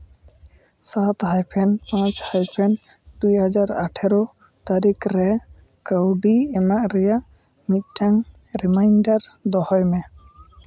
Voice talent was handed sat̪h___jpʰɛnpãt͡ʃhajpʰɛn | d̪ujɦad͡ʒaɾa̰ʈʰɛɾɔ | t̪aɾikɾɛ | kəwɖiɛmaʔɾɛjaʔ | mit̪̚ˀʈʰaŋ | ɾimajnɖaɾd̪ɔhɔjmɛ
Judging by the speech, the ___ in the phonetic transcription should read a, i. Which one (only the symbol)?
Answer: a